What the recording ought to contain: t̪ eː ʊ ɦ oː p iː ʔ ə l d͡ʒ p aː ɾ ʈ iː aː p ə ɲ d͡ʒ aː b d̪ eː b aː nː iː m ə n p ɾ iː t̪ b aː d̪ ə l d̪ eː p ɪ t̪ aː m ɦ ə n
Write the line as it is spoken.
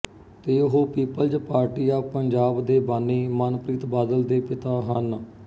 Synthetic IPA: t̪ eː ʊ ɦ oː p iː p ə l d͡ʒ p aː ɾ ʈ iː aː p ə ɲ d͡ʒ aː b d̪ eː b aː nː iː m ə n p ɾ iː t̪ b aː d̪ ə l d̪ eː p ɪ t̪ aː ɦ ə n